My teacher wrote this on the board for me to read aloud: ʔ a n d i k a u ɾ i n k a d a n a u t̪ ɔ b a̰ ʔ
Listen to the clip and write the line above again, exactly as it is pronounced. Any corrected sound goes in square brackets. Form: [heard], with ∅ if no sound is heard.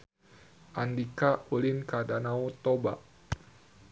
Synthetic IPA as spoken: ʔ a n d i k a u [l] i n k a d a n a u t̪ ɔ b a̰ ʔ